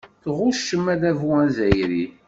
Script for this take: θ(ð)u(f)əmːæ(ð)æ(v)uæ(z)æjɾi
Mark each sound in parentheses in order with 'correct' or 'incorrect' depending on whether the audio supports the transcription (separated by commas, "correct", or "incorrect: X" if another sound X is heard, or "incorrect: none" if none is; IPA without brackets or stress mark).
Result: incorrect: ʁ, incorrect: ʃ, correct, correct, correct